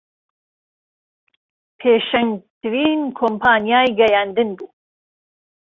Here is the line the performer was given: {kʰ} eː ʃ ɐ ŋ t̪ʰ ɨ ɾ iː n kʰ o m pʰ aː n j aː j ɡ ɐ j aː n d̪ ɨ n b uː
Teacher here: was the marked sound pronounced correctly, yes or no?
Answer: no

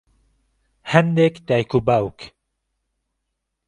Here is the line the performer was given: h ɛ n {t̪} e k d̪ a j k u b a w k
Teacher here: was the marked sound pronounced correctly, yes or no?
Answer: no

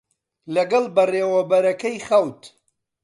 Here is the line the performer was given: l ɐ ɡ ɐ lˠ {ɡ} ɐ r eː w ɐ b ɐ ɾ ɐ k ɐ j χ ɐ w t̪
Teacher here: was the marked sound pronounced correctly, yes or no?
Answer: no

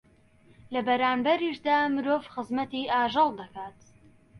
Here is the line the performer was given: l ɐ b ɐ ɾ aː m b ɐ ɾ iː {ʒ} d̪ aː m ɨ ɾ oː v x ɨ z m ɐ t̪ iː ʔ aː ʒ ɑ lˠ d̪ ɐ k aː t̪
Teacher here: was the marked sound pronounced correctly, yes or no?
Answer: no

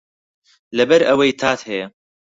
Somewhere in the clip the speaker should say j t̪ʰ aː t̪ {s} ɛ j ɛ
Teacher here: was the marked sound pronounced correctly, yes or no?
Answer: no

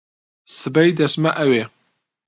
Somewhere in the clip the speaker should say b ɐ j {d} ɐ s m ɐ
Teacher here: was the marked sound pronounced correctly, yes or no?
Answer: yes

